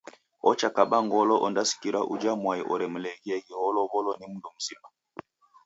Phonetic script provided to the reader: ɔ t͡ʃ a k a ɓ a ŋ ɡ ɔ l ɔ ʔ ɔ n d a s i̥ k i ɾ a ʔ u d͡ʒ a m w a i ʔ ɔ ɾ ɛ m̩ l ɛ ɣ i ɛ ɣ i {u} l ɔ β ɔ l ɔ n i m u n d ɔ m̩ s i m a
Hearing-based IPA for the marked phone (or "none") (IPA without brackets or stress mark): ɔ